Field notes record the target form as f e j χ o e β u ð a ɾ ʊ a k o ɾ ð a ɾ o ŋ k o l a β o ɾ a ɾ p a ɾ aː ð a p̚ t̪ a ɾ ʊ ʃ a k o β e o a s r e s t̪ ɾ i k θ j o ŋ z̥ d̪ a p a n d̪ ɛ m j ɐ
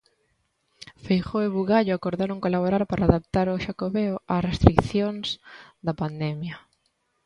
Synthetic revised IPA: f e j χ o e β u ɣ a ʎ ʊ a k o ɾ ð a ɾ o ŋ k o l a β o ɾ a ɾ p a ɾ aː ð a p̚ t̪ a ɾ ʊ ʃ a k o β e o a s r e s t̪ ɾ i k θ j o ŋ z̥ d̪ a p a n d̪ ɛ m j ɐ